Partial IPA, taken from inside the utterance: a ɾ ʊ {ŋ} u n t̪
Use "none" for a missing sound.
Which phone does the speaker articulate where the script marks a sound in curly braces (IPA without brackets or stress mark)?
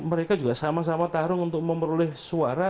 ŋ